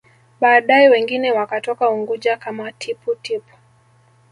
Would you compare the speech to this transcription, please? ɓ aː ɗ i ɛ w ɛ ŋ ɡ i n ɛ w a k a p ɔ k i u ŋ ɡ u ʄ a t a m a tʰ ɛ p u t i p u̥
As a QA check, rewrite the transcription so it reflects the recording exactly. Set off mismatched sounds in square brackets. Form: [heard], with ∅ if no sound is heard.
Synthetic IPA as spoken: ɓ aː ɗ [a] ɛ w ɛ ŋ ɡ i n ɛ w a k a [t] ɔ k [a] u ŋ ɡ u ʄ a [k] a m a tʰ [i] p u t i p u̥